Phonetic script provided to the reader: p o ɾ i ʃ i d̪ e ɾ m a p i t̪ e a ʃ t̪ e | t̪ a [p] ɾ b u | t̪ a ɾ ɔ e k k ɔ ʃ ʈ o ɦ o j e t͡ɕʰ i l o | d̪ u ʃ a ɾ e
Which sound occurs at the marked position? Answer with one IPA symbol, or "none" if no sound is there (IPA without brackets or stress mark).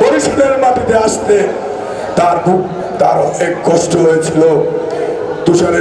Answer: none